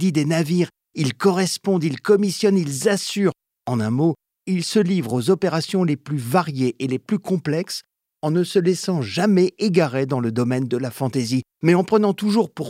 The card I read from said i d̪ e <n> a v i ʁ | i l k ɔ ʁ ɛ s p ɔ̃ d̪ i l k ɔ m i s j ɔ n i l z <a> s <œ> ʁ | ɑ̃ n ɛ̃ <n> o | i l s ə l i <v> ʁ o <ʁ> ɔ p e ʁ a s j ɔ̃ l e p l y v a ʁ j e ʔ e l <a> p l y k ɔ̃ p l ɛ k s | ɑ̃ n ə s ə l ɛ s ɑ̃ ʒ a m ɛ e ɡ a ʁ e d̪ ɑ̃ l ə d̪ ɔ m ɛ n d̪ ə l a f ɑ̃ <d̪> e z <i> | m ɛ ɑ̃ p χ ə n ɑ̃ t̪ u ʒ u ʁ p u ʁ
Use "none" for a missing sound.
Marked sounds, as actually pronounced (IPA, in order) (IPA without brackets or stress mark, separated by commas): n, a, y, m, v, z, e, t̪, i